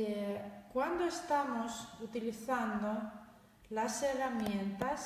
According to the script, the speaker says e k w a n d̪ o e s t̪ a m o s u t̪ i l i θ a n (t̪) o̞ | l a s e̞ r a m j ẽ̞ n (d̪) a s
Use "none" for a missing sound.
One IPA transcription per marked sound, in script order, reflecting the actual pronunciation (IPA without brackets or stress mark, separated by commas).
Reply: d̪, t̪